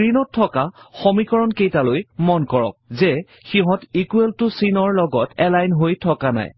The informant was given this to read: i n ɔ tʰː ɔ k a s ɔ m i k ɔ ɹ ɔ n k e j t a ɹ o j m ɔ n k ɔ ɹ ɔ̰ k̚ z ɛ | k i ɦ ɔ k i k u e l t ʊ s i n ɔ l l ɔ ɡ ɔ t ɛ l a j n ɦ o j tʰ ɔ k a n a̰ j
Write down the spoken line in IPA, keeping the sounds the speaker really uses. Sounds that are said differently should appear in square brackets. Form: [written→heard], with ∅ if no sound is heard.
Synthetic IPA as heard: i n ɔ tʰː ɔ k a [s→x] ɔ m i k ɔ ɹ ɔ n k e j t a [ɹ→l] o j m ɔ n k ɔ ɹ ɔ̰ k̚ z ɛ | [k→x] i ɦ ɔ [k→t] i k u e l t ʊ s i n ɔ [l→ɹ] l ɔ ɡ ɔ t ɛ l a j n ɦ o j tʰ ɔ k a n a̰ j